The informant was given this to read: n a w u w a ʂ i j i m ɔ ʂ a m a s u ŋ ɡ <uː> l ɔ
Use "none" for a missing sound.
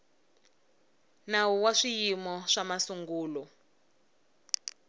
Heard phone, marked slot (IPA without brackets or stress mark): uː